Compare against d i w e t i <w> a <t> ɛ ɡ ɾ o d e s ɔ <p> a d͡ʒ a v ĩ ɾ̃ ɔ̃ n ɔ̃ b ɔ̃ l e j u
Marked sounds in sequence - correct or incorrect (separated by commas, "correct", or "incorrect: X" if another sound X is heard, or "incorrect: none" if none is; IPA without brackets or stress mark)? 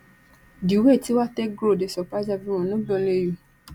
correct, correct, correct